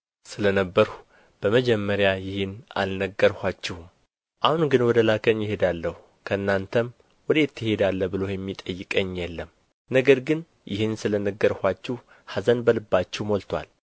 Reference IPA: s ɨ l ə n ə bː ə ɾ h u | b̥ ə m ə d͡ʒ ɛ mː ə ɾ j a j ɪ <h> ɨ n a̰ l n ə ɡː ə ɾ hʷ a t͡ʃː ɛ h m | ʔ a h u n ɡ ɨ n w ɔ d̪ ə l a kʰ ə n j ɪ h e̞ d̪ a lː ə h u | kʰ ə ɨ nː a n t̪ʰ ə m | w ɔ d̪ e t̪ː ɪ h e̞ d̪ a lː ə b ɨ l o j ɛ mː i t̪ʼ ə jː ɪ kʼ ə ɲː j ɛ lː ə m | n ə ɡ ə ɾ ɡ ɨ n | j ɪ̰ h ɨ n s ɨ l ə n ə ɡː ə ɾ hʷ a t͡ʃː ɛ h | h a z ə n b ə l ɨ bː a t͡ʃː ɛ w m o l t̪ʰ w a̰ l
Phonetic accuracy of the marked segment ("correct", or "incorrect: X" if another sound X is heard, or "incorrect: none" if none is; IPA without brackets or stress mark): correct